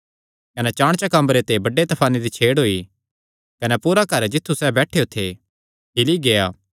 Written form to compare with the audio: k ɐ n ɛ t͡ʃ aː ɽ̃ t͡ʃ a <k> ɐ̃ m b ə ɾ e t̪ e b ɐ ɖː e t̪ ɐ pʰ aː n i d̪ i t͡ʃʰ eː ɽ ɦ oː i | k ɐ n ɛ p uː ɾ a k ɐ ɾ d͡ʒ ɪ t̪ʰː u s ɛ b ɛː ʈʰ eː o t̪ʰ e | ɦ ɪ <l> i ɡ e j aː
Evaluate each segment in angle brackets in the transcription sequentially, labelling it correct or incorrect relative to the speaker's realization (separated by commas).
correct, correct